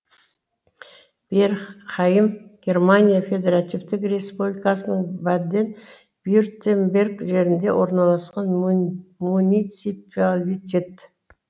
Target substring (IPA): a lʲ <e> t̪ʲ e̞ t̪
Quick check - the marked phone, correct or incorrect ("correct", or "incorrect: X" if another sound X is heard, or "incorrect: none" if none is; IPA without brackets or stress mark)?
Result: incorrect: i